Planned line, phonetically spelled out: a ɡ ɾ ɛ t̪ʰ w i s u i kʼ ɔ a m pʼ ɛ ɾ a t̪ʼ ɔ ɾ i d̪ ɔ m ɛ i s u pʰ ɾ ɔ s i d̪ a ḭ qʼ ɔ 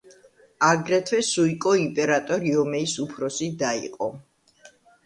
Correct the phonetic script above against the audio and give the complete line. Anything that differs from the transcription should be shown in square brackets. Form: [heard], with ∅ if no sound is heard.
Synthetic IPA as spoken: a ɡ ɾ ɛ t̪ʰ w [ɛ] s u i kʼ ɔ [i] m pʼ ɛ ɾ a t̪ʼ ɔ ɾ i [∅] ɔ m ɛ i s u pʰ ɾ ɔ s i d̪ a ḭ qʼ ɔ